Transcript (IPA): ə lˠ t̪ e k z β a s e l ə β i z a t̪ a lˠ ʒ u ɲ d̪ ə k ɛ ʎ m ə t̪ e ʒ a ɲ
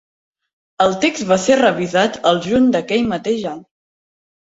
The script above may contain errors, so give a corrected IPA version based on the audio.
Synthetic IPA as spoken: ə lˠ t̪ e k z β a s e r ə β i z a t̪ ə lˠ ʒ u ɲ d̪ ə k ɛ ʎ m ə t̪ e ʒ a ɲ